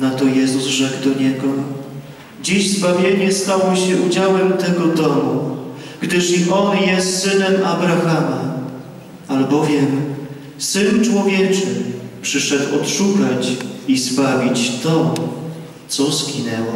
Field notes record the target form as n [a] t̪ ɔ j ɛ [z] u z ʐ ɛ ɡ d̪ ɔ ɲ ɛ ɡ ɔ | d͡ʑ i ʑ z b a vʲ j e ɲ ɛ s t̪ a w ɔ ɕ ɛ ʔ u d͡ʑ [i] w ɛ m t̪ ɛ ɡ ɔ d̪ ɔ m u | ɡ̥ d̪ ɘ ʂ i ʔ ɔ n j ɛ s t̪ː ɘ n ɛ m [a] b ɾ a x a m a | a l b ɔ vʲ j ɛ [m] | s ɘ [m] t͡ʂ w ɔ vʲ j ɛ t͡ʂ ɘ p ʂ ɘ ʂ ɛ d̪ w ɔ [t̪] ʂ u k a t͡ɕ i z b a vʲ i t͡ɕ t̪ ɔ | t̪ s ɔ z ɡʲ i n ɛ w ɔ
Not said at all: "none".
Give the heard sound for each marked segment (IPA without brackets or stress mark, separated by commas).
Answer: a, z, a, a, m, n, t̪